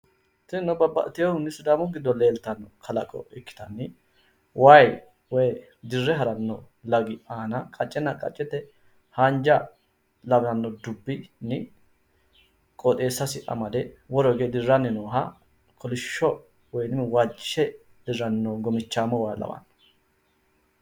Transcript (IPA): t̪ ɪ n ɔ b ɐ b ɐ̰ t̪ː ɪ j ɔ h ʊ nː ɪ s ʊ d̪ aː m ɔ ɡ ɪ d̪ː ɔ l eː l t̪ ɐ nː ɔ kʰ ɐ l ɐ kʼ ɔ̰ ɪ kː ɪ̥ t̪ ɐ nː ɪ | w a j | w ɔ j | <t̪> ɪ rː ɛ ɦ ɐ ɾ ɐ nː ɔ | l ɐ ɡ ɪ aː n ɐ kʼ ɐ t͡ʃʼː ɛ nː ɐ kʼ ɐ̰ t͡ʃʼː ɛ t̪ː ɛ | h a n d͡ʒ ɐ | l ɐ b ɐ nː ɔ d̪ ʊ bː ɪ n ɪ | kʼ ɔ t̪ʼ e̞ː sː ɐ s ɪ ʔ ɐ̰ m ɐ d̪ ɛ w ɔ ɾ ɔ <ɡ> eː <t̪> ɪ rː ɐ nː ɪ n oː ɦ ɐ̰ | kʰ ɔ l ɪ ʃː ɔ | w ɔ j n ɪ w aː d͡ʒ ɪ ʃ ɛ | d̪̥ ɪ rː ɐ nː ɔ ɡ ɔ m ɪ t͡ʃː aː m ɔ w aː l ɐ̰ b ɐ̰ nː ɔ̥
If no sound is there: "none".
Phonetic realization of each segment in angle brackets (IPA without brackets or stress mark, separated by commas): d̪, ɡ, d̪